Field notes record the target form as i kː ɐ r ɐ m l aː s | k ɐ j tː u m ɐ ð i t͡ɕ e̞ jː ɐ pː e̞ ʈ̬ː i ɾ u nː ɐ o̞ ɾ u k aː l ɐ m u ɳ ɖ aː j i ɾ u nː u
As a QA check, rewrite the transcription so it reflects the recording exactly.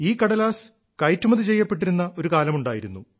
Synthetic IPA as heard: iː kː ɐ ɽ ɐ l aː s | k ɐ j tː u m ɐ ð i t͡ɕ e̞ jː ɐ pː e̞ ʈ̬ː i ɾ u nː ɐ o̞ ɾ u k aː l ɐ m u ɳ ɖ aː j i ɾ u nː u

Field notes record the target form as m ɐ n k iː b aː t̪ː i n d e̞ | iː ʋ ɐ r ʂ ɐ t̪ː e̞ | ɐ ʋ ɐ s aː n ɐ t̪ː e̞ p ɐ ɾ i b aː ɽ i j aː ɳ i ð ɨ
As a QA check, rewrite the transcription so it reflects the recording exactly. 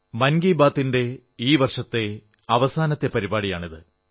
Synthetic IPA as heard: m ɐ n ɡ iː b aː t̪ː i n d e̞ | iː ʋ ɐ r ʂ ɐ t̪ː e̞ | ɐ ʋ ɐ s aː n ɐ t̪ː e̞ p ɐ ɾ i b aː ɽ i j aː ɳ i ð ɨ

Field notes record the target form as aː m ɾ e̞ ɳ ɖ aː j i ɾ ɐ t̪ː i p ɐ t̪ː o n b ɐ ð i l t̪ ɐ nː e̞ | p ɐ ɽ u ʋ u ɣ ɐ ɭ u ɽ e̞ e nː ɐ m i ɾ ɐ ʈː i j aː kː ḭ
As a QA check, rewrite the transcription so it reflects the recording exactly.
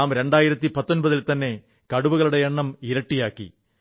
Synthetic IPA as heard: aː m ɾ e̞ ɳ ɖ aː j i ɾ ɐ t̪ː i p ɐ t̪ː o n b ɐ ð i l t̪ ɐ nː e̞ | k ɐ ɽ u ʋ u ɣ ɐ ɭ u ɽ e̞ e ɳː ɐ m i ɾ ɐ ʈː i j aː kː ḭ

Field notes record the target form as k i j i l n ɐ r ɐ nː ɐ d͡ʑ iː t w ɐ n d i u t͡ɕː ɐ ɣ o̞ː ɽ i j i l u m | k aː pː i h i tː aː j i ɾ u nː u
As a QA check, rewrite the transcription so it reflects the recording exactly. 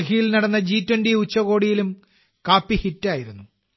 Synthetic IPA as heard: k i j i l n ɐ ɽ ɐ nː ɐ d͡ʑ iː t w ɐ n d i u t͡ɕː ɐ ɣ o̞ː ɽ i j i l u m | k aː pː i h i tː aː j i ɾ u nː u

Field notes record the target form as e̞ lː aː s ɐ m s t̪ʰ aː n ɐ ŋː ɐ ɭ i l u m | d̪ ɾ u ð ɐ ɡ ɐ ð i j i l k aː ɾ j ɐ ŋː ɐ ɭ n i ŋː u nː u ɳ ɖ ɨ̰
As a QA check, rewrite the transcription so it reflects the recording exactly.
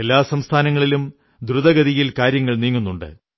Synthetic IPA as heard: e̞ lː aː s ɐ m s t̪ʰ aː n ɐ ŋː ɐ ɭ i l u m | d̪ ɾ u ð ɐ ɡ ɐ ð i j i l k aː ɾ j ɐ ŋː ɐ ɭ n iː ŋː u nː u ɳ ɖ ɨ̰

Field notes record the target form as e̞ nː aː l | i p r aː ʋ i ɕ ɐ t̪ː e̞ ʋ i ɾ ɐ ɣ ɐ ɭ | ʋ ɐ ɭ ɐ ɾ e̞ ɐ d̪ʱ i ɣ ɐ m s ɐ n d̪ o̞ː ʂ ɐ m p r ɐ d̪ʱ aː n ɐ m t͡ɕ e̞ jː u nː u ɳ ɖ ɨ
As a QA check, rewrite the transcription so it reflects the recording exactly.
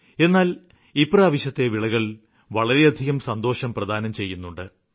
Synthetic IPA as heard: e̞ nː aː l | i p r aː ʋ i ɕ ɐ t̪ː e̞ ʋ i ɭ ɐ ɣ ɐ ɭ | ʋ ɐ ɭ ɐ ɾ e̞ ɐ d̪ʱ i ɣ ɐ m s ɐ n d̪ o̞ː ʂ ɐ m p r ɐ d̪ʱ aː n ɐ m t͡ɕ e̞ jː u nː u ɳ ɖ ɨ

